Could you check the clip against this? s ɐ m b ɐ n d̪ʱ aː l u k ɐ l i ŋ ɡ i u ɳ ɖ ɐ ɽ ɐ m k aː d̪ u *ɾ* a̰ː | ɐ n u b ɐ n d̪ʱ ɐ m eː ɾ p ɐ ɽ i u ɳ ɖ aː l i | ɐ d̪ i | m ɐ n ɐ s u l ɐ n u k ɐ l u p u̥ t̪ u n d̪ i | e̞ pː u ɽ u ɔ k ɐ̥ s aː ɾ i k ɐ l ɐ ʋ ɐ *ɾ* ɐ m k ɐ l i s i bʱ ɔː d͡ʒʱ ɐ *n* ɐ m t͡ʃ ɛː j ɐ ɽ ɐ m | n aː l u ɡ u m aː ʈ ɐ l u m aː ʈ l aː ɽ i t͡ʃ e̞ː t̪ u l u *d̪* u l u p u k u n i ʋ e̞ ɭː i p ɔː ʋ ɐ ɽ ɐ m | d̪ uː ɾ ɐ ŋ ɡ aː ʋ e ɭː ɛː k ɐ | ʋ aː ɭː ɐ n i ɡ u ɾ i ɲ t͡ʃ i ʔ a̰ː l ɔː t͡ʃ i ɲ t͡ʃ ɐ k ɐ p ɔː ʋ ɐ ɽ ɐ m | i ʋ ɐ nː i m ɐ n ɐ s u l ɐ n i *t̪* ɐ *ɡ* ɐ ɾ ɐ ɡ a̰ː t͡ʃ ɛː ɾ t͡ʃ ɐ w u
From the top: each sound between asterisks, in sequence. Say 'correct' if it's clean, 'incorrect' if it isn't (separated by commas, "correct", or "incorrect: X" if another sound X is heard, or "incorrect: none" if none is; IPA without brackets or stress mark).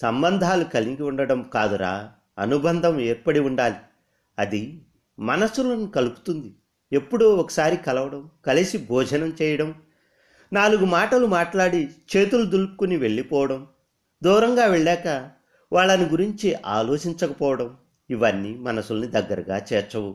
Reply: correct, incorrect: ɽ, correct, correct, incorrect: d̪, incorrect: ɡː